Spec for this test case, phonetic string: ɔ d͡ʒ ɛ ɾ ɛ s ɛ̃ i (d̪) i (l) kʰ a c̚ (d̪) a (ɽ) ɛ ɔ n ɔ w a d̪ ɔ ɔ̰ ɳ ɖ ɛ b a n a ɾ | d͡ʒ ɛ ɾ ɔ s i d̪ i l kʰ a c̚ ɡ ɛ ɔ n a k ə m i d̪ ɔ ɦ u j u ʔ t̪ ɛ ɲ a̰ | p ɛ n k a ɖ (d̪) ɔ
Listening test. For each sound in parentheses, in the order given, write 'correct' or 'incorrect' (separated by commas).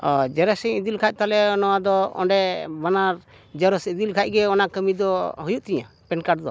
correct, correct, incorrect, incorrect, correct